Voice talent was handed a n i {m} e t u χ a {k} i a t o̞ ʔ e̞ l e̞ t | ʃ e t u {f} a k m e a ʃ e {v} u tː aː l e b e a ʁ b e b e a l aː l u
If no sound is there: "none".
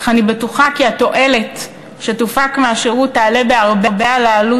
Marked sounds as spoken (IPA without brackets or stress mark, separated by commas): b, k, f, ʁ